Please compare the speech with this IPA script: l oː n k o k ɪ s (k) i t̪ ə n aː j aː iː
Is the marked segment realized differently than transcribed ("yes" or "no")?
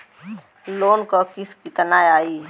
no